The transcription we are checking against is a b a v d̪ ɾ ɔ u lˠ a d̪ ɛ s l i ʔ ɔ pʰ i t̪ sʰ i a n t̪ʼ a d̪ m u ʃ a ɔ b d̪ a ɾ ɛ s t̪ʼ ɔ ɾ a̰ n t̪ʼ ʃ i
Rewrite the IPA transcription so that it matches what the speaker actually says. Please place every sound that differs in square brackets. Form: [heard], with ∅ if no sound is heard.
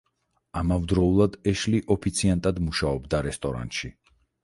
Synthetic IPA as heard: a [m] a v d̪ ɾ ɔ u lˠ a d̪ ɛ [ʃ] l i ʔ ɔ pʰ i t̪ sʰ i a n t̪ʼ a d̪ m u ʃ a ɔ b d̪ a ɾ ɛ s t̪ʼ ɔ ɾ a̰ n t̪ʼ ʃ i